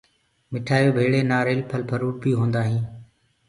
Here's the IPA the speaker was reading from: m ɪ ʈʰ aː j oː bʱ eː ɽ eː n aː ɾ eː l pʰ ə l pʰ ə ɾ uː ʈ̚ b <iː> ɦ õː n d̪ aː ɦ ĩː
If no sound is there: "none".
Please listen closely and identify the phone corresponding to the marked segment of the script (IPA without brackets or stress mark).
iː